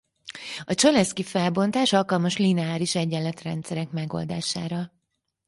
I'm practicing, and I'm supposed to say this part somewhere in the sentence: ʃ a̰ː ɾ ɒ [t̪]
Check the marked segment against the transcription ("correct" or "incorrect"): incorrect